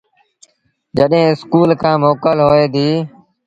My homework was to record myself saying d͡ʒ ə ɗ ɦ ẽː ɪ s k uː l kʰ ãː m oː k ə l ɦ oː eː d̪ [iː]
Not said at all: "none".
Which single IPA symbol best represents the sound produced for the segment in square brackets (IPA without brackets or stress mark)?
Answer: iː